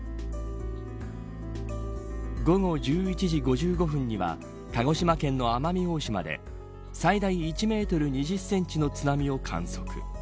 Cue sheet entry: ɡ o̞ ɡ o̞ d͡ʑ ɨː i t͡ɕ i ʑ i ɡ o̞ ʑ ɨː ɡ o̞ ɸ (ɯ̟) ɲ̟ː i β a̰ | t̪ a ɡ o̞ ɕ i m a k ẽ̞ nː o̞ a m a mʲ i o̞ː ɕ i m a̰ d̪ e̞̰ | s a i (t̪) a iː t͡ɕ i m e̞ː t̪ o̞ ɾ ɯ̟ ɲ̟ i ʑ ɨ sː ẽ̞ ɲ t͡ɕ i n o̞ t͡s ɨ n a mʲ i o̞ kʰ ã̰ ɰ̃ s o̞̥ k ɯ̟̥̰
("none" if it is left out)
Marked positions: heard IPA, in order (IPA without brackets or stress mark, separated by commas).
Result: ɯ̟̃, d̪